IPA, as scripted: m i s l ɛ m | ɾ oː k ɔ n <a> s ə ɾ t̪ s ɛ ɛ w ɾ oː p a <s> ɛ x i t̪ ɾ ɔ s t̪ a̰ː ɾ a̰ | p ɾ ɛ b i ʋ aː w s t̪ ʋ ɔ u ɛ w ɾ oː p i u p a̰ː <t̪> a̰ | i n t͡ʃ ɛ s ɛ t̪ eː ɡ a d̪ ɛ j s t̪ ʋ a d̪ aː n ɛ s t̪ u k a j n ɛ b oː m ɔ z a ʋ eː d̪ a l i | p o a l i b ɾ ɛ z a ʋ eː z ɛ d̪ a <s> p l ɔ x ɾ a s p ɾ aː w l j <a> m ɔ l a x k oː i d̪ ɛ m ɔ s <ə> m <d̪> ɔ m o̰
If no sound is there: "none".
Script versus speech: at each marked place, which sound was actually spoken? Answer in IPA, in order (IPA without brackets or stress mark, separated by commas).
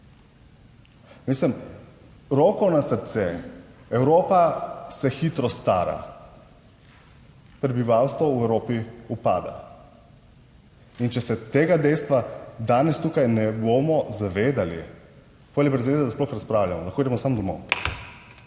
a, s, d̪, s, a, a, d̪